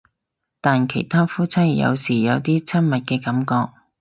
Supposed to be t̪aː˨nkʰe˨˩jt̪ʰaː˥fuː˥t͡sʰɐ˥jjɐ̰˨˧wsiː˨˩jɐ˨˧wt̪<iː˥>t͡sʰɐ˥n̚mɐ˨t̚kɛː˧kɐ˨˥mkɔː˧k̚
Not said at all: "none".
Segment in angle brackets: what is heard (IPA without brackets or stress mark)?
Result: iː˥